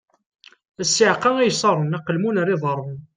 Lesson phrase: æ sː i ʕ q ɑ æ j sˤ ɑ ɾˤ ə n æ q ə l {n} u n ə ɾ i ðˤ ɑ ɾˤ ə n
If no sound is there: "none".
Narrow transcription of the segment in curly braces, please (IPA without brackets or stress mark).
m